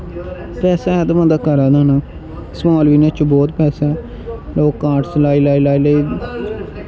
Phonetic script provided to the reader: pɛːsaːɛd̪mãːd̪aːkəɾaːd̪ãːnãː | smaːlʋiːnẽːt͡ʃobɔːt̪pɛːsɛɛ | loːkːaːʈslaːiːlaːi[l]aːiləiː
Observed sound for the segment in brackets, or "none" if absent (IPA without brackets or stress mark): l